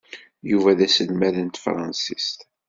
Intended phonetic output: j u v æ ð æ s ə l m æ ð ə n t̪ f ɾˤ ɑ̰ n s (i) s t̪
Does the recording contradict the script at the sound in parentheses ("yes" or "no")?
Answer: no